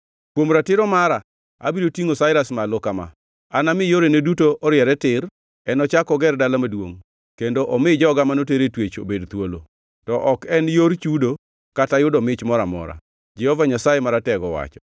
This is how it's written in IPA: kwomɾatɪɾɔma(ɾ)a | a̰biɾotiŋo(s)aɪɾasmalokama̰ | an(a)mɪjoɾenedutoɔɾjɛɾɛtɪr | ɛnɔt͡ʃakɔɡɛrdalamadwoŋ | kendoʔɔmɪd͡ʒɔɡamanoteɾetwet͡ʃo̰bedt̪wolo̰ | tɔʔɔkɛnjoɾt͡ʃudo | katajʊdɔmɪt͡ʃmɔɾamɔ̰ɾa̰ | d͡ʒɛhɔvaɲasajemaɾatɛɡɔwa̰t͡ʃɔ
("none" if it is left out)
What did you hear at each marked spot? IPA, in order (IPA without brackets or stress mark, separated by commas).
ɾ, s, a